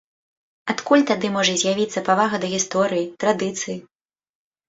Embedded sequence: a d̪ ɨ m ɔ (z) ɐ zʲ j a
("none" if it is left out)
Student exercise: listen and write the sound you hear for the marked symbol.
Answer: ʐ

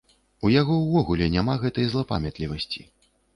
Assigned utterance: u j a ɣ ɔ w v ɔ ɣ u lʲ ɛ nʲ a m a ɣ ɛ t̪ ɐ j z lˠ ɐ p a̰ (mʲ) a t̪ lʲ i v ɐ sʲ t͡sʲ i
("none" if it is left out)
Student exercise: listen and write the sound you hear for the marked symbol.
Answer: mʲ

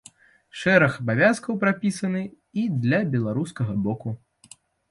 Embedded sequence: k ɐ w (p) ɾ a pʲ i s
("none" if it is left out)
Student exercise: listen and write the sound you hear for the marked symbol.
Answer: p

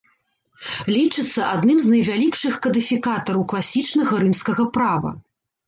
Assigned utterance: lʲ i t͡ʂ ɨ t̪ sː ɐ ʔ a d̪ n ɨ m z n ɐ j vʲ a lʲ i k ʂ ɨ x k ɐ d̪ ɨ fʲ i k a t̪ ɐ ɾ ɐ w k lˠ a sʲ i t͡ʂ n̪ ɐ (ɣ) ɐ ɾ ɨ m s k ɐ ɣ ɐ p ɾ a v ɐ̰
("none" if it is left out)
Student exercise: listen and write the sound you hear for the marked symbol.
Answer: ɣ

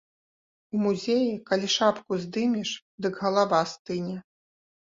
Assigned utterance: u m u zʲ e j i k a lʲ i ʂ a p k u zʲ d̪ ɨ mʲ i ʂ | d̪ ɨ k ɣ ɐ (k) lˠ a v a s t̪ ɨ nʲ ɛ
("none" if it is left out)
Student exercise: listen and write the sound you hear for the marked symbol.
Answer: none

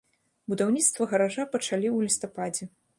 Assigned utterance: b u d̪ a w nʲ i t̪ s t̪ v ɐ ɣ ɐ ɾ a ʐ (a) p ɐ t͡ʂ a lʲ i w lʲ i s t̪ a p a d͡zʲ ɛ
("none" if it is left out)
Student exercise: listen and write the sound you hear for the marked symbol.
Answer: a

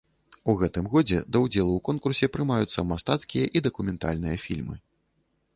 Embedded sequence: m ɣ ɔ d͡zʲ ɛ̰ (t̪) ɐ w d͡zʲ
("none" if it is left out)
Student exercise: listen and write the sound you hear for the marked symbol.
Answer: d̪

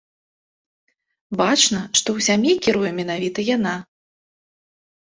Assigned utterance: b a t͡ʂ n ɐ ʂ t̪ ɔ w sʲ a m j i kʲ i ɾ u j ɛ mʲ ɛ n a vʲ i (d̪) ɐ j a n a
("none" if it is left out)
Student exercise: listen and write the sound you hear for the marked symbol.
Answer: t̪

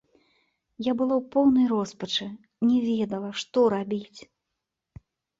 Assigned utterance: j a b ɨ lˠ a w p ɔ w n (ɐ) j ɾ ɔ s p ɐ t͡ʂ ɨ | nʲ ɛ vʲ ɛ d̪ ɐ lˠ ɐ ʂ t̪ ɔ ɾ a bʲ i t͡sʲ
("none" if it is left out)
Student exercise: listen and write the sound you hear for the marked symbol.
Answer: ɐ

